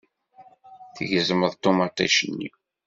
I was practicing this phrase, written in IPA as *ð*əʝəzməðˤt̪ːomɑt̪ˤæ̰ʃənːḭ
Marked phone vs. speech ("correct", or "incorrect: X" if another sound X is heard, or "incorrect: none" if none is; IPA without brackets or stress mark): incorrect: θ